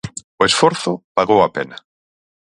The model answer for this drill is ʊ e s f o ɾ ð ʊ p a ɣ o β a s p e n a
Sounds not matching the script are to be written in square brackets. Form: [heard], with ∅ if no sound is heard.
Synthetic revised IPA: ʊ e s f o ɾ [θ] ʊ p a ɣ o [w] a [∅] p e n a